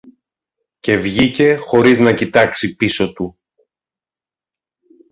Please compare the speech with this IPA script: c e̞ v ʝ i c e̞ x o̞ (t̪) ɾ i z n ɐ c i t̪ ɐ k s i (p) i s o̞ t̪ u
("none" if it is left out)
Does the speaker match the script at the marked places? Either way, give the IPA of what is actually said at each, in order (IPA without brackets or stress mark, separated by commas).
none, p